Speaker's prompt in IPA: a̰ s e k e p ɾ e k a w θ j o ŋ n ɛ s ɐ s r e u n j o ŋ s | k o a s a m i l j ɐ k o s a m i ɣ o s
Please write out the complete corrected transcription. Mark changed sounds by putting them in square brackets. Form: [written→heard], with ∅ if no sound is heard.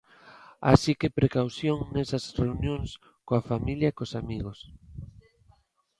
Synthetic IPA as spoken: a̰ s [e→i] k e p ɾ e k a w θ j o ŋ n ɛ s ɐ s r e u n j o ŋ s | k o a [s→f] a m i l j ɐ k o s a m i ɣ o s